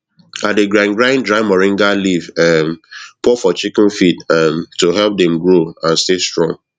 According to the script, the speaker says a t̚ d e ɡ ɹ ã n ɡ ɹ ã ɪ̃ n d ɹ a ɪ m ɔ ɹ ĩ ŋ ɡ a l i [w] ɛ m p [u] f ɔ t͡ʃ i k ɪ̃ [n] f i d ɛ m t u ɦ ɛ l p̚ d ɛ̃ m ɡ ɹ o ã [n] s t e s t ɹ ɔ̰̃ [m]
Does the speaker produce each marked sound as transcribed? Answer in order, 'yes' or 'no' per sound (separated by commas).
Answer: no, no, yes, yes, no